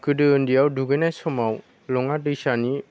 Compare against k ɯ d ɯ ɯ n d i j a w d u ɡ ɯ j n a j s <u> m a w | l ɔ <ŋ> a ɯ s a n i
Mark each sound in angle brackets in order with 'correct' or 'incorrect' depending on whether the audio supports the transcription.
incorrect, correct

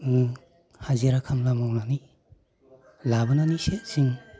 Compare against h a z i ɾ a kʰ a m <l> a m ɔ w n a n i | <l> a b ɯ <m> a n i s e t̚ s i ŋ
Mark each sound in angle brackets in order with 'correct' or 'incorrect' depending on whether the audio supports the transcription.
correct, correct, incorrect

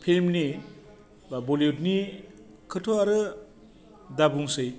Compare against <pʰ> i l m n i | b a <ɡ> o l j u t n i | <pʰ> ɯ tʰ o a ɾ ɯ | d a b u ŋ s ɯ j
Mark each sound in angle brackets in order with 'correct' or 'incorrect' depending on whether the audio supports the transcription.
correct, incorrect, incorrect

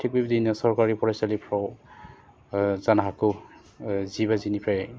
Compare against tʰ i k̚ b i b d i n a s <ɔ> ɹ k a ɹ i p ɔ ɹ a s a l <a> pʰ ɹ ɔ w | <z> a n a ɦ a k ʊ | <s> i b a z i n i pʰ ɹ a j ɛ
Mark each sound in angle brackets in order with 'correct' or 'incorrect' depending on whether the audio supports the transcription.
correct, incorrect, correct, incorrect

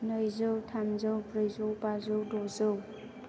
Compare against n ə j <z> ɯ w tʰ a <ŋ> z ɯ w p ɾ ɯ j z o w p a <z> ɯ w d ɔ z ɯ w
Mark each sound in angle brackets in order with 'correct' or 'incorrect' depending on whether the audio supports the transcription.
correct, incorrect, correct

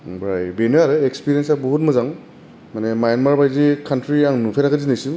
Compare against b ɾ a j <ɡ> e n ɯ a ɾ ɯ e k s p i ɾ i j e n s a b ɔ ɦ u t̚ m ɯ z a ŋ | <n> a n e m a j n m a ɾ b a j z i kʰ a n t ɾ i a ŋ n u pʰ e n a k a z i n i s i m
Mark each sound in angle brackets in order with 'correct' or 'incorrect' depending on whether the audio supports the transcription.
incorrect, incorrect

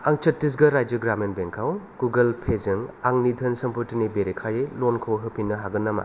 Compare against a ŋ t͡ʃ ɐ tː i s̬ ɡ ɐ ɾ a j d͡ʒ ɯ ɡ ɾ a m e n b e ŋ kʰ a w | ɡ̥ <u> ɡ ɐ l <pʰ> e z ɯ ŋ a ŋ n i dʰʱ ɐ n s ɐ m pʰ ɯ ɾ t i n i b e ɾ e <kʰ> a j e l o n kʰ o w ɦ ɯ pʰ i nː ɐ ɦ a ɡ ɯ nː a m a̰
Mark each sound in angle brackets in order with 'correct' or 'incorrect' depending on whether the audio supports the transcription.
correct, correct, correct

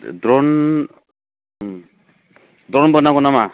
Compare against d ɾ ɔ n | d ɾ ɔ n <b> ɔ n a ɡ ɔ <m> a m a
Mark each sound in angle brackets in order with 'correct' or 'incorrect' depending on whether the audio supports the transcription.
correct, incorrect

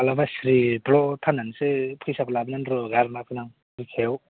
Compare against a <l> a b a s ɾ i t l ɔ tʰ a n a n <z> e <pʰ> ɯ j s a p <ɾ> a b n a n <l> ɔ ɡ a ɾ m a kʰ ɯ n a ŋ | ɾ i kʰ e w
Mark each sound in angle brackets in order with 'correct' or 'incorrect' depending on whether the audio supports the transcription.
correct, incorrect, correct, incorrect, incorrect

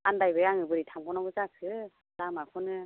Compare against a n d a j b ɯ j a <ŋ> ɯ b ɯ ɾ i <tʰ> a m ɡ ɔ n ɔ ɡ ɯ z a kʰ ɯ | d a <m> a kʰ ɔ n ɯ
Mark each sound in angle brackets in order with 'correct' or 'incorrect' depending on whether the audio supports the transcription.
correct, correct, correct

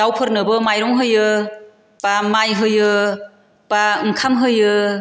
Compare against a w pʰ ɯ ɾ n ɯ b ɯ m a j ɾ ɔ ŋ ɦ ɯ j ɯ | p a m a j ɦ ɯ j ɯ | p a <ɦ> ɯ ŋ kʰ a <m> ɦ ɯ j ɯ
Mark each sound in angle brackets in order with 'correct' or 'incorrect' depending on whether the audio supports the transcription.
incorrect, correct

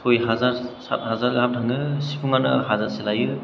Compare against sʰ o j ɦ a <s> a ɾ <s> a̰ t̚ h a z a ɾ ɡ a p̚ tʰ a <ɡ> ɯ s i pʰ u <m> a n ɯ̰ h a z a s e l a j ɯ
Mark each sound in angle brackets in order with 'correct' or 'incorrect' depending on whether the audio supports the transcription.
incorrect, correct, incorrect, incorrect

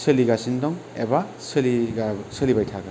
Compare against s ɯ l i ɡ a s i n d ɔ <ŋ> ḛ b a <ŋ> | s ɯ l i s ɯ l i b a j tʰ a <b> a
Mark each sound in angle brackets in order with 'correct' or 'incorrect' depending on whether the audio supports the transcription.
correct, incorrect, incorrect

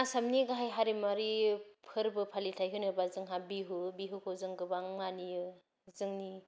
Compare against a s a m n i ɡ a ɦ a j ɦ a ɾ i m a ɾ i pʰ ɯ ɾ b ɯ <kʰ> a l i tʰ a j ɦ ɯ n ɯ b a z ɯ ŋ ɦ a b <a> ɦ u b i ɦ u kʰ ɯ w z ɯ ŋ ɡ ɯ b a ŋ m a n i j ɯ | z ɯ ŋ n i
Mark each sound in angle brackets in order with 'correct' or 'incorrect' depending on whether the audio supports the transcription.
incorrect, incorrect

